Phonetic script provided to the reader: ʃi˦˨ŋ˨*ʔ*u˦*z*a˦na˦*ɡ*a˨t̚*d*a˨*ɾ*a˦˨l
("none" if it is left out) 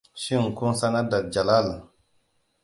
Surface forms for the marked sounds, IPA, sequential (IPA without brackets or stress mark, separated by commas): k, s, d, d͡ʒ, l